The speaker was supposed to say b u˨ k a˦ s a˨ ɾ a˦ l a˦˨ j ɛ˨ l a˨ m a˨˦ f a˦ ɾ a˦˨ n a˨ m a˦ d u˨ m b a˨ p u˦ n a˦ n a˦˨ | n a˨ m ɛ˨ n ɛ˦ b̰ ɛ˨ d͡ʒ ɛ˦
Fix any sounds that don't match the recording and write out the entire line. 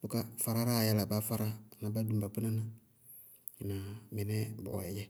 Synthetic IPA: b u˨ k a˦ f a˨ ɾ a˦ ɾ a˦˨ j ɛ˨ l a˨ b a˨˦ f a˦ ɾ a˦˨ n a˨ b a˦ d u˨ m b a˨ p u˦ n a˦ n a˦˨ | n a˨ m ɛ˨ n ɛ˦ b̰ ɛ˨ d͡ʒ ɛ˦